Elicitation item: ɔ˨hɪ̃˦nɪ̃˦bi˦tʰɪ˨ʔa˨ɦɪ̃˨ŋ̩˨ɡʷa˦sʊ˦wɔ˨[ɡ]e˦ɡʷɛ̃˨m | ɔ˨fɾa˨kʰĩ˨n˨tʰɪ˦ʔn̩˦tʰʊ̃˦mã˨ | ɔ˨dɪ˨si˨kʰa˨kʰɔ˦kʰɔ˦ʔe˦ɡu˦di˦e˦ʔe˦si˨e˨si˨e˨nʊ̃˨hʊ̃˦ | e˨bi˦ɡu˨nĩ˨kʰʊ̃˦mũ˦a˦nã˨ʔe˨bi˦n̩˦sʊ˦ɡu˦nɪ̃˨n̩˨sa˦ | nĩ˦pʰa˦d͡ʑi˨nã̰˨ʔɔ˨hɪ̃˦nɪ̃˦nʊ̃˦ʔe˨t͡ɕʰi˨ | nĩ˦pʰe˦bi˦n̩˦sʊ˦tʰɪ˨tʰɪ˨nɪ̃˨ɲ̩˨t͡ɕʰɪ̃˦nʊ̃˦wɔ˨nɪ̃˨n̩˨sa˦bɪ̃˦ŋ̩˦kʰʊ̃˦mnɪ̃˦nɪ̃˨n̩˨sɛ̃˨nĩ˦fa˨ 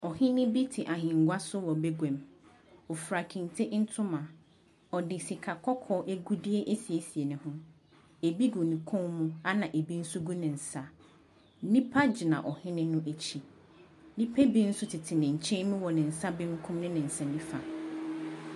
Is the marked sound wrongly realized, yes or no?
yes